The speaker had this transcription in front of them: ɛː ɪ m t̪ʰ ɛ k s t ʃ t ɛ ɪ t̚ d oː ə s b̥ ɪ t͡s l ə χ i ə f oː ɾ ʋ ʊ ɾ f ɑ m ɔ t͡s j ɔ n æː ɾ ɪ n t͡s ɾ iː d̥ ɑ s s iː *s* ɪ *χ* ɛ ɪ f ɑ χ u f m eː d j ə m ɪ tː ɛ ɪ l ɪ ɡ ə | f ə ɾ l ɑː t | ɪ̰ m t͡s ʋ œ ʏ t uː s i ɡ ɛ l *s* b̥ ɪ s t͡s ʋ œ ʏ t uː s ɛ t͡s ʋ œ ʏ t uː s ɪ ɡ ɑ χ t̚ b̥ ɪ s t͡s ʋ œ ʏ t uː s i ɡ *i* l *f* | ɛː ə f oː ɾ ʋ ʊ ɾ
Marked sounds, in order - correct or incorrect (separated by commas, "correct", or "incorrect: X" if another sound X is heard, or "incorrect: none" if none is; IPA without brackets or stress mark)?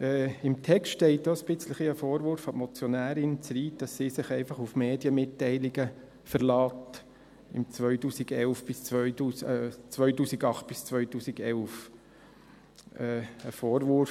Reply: correct, correct, incorrect: f, incorrect: ɛ, correct